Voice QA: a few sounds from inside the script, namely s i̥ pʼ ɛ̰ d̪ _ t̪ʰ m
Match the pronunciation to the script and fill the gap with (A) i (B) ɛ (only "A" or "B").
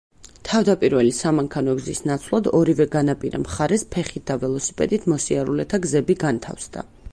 A